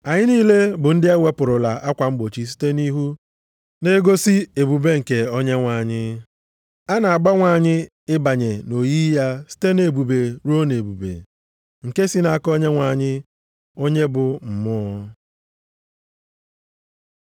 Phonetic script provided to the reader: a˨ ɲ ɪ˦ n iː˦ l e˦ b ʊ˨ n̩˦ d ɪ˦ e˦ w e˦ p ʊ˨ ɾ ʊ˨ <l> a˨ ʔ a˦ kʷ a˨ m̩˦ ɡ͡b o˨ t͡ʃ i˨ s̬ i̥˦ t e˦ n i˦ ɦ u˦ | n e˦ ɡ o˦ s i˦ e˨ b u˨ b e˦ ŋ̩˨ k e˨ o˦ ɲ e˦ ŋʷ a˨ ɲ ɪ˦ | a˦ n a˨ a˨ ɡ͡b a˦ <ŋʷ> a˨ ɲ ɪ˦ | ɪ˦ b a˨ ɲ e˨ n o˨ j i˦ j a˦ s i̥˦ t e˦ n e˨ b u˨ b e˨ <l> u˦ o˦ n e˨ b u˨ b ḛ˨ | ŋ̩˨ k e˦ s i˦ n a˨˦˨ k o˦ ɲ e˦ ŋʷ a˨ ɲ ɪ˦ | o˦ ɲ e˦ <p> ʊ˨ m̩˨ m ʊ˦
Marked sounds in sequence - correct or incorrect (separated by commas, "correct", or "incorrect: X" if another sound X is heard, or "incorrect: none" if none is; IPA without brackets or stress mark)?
correct, correct, incorrect: ɾ, incorrect: b